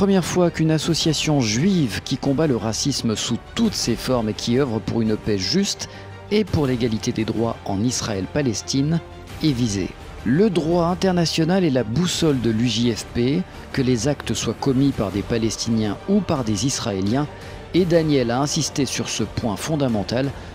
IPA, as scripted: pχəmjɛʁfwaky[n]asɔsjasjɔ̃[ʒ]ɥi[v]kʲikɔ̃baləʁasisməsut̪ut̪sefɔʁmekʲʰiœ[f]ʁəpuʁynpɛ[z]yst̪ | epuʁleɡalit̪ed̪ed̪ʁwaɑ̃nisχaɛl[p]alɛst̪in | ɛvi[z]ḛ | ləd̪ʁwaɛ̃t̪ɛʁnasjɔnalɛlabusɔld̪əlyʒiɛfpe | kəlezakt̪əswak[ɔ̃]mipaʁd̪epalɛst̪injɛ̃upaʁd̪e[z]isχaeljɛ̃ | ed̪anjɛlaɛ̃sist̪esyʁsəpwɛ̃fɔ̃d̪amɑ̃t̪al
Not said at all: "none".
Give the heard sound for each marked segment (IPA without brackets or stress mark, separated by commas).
n, ʒ, v, v, ʒ, p, z, ɔ, z